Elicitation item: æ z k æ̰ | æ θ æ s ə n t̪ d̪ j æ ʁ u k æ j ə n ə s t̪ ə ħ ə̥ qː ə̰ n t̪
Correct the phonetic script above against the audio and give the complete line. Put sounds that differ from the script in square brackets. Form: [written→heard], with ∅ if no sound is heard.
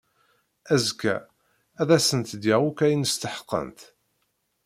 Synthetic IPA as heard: æ z k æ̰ | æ [θ→ð] æ s ə n t̪ d̪ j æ ʁ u k æ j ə n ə s t̪ ə ħ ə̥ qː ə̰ n t̪

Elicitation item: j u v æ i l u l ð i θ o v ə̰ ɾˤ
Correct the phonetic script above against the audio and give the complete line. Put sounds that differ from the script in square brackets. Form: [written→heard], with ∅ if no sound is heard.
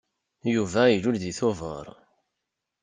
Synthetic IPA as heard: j u v æ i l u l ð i θ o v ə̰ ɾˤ

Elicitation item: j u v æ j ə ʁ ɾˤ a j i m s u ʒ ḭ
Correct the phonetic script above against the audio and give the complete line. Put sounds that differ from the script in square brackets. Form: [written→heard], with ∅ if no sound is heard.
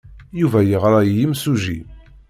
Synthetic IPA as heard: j u v æ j ə ʁ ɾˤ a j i m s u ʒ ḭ

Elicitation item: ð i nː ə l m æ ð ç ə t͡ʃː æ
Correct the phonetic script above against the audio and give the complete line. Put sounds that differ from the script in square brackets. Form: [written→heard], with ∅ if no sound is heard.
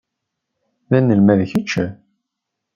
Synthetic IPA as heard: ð [i→æ] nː ə l m æ ð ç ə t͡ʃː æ

